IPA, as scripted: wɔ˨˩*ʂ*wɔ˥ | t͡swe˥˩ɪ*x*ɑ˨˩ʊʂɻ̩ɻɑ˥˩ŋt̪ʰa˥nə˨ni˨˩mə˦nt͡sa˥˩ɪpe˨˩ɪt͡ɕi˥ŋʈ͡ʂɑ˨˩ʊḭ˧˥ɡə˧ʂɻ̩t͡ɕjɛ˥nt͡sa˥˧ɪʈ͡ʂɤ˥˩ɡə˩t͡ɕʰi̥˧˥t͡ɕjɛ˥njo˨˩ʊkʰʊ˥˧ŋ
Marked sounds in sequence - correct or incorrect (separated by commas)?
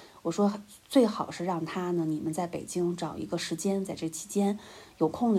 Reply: correct, correct